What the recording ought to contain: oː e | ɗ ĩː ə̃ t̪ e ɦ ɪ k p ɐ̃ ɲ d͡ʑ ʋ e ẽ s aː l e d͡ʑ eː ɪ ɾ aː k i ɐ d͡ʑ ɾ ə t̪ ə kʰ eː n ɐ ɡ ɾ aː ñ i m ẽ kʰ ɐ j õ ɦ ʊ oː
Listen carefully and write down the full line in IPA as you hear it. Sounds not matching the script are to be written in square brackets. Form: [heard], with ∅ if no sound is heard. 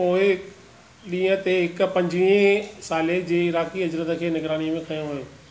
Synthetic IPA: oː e | ɗ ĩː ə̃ t̪ e ɦ ɪ k p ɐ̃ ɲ d͡ʑ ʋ [i] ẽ s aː l e d͡ʑ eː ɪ ɾ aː k i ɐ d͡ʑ ɾ ə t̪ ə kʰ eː n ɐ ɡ ɾ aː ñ i m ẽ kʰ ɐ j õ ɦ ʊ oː